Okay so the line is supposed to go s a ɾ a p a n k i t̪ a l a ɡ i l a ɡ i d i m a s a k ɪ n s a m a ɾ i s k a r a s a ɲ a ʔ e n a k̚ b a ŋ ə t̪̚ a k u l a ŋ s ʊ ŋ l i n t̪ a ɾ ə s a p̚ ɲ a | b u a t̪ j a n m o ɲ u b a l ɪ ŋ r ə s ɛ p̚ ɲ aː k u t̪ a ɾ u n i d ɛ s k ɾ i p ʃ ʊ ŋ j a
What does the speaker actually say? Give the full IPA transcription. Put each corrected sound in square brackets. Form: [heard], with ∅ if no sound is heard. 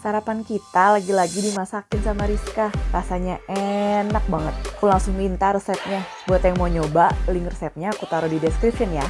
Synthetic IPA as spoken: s a ɾ a p a n k i t̪ a l a ɡ i l a ɡ i d i m a s a k ɪ n s a m a ɾ i s k a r a s a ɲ a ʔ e n a k̚ b a ŋ ə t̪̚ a k u l a ŋ s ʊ ŋ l i n t̪ a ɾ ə s [ɛ] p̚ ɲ a | b u a t̪ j a [ŋ] m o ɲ [o] b a l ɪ ŋ r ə s ɛ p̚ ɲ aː k u t̪ a ɾ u [d] i d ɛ s k ɾ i p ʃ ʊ [n] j a

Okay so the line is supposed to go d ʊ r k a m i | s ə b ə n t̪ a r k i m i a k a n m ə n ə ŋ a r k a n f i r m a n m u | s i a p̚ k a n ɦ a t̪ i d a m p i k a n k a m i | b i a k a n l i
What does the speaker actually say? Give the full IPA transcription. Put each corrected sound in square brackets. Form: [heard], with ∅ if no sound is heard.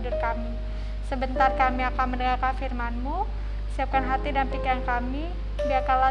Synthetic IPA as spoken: d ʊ r k a m i | s ə b ə n t̪ a r k [a] m i a k a n m ə n ə ŋ a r k a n f i r m a n m u | s i a p̚ k a n ɦ a t̪ i d a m p i k a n k a m i | b i a k a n l [a]

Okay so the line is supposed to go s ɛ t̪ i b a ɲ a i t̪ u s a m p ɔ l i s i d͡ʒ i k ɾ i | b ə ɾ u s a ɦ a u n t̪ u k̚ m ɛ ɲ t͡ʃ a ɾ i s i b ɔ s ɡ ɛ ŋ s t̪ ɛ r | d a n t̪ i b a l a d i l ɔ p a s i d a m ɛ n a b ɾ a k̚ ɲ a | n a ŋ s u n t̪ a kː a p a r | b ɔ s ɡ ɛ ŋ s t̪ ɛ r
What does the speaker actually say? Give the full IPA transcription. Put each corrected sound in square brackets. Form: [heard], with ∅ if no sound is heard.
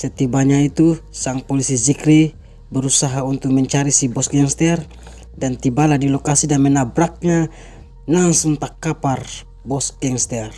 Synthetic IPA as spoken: s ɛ t̪ i b a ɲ a i t̪ u s a [ŋ] p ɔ l i s i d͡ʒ i k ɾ i | b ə ɾ u s a ɦ a u n t̪ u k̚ m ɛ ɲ t͡ʃ a ɾ i s i b ɔ s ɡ ɛ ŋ s t̪ ɛ r | d a n t̪ i b a l a d i l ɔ [k] a s i d a m ɛ n a b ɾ a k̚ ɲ a | n a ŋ s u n t̪ a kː a p a r | b ɔ s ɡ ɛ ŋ s t̪ ɛ r

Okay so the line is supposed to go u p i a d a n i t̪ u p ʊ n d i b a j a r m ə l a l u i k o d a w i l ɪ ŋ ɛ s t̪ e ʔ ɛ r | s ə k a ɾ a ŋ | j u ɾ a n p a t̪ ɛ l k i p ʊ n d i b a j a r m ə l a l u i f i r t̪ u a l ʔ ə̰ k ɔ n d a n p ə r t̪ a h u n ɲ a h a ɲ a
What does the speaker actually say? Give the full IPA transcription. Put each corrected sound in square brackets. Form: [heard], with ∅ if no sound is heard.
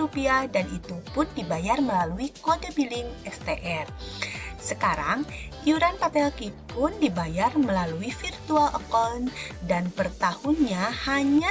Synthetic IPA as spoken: u p i a d a n i t̪ u p ʊ n d i b a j a r m ə l a l u i k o d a [b] i l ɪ ŋ ɛ s t̪ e ʔ ɛ r | s ə k a ɾ a ŋ | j u ɾ a n p a t̪ ɛ l k i p ʊ n d i b a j a r m ə l a l u i f i r t̪ u a l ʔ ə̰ k ɔ n d a n p ə r t̪ a h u n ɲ a h a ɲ a

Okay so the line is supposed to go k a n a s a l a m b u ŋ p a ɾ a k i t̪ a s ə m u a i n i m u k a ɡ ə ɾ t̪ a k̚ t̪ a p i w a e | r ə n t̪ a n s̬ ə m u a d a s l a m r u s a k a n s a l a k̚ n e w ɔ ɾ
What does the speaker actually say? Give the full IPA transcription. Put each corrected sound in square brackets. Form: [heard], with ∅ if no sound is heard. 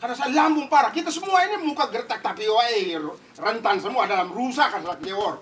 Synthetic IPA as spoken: k a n a s a l a m b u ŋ p a ɾ a k i t̪ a s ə m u a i n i m u k a ɡ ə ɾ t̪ a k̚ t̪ a p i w a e | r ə n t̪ a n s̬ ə m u a d a [∅] l a m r u s a k a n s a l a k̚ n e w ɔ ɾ

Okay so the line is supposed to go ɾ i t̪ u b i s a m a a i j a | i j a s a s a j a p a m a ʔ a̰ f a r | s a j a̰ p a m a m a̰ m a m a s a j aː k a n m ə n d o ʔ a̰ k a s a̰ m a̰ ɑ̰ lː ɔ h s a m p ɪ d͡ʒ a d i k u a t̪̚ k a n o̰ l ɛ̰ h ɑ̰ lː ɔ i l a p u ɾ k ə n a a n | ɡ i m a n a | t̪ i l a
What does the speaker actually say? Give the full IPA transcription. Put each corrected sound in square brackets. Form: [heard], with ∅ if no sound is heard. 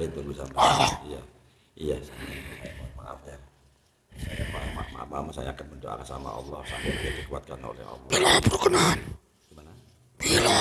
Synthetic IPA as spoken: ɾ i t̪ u b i s a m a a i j a | i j a s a s a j a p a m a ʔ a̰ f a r | s a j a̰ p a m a m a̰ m a m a s a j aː k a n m ə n d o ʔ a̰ k a s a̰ m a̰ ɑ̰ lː ɔ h s a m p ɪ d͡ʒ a d i k u a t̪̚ k a n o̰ l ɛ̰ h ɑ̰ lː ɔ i l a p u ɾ k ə n a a n | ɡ i m a n a | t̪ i l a

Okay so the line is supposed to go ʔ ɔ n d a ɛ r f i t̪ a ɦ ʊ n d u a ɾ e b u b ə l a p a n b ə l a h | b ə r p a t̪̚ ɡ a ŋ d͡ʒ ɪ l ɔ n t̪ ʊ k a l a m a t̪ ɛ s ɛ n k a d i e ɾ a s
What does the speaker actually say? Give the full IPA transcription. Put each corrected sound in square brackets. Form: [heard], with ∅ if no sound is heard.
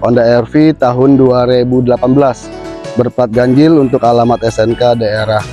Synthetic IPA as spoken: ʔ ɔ n d a ɛ r f i t̪ a ɦ ʊ n d u a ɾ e b u [d] ə l a p a n b ə l a [s] | b ə r p a t̪̚ ɡ a [ɲ] d͡ʒ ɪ l [u] n t̪ ʊ k a l a m a t̪ ɛ s ɛ n k a d [a] e ɾ a [h]

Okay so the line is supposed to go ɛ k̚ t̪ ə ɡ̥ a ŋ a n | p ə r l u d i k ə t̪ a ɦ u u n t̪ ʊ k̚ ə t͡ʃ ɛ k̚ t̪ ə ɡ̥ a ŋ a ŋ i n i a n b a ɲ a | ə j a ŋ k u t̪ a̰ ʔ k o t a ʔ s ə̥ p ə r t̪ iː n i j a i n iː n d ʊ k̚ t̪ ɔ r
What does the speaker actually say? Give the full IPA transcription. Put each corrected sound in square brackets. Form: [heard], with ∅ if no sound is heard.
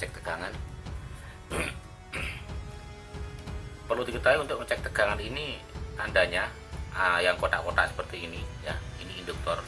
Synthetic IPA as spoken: ɛ k̚ t̪ ə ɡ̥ a ŋ a n | p ə r l u d i k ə t̪ a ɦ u u n t̪ ʊ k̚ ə t͡ʃ ɛ k̚ t̪ ə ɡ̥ a ŋ a [n] i n i a n [d] a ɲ a | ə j a ŋ k [o] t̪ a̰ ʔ k o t a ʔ s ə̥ p ə r t̪ iː n i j a i n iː n d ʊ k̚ t̪ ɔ r

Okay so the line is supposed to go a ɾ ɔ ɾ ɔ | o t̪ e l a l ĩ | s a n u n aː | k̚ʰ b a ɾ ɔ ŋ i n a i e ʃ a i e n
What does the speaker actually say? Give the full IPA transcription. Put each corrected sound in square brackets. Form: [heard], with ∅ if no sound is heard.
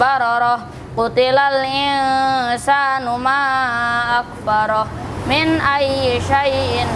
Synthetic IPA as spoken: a ɾ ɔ ɾ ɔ | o t̪ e l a l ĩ | s a n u [m] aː | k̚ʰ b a ɾ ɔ [m] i n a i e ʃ a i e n

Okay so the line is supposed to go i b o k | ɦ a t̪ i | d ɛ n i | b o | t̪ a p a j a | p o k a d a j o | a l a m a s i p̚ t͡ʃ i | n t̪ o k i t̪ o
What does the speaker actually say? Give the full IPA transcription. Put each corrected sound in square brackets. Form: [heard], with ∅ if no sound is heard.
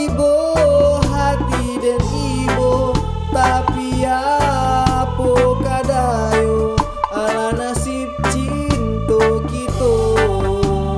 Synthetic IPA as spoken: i b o [∅] | ɦ a t̪ i | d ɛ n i | b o | t̪ a p [i] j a | p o k a d a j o | a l a [n] a s i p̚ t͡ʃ i | n t̪ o k i t̪ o

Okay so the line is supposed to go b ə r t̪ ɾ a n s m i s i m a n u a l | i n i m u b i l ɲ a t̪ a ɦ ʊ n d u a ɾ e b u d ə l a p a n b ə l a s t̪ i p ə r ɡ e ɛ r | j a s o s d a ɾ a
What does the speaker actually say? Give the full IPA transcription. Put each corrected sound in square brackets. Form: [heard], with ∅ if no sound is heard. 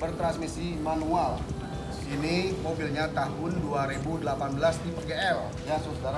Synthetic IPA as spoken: b ə r t̪ ɾ a n s m i s i m a n u a l | i n i m [o] b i l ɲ a t̪ a ɦ ʊ n d u a ɾ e b u d ə l a p a n b ə l a s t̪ i p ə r ɡ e ɛ [l] | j a s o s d a ɾ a

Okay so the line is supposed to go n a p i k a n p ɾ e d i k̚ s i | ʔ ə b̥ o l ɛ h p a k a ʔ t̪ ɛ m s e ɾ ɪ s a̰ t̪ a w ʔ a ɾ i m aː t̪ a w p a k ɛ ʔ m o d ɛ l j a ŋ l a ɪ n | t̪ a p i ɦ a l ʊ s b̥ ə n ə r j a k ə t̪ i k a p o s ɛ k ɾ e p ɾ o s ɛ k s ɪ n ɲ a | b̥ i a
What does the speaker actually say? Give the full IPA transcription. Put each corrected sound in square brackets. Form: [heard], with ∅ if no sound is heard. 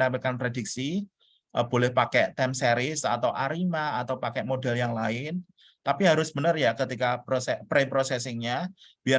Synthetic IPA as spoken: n a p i k a n p ɾ e d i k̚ s i | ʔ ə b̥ o l ɛ h p a k [ɛ] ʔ t̪ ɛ m s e ɾ ɪ s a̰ t̪ a w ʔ a ɾ i m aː t̪ a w p a k ɛ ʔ m o d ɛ l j a ŋ l a ɪ n | t̪ a p i ɦ a [ɾ] ʊ s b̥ ə n ə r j a k ə t̪ i k a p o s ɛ [p] ɾ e p ɾ o s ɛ [∅] s ɪ [ŋ] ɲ a | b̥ i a

